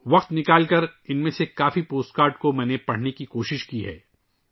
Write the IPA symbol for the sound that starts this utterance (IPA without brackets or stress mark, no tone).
ʋ